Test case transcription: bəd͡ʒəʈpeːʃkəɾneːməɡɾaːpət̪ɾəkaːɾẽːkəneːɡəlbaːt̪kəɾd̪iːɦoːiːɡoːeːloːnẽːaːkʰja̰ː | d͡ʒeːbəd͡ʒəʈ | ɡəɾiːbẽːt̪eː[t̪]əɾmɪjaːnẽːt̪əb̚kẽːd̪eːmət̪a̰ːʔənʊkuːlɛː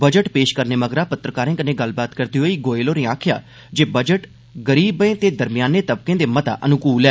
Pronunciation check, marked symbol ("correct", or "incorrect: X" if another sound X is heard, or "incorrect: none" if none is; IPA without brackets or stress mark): incorrect: d̪